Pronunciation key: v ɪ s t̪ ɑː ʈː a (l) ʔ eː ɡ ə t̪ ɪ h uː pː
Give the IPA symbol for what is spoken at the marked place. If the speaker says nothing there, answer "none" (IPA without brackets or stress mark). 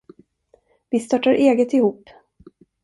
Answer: ɾ